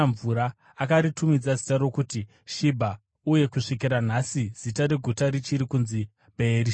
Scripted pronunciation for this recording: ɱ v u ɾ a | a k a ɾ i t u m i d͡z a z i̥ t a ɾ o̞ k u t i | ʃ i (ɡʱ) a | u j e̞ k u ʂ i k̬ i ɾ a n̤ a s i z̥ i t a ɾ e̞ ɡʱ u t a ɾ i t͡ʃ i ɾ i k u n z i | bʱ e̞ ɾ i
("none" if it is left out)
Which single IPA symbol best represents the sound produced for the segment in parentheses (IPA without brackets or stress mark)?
bʱ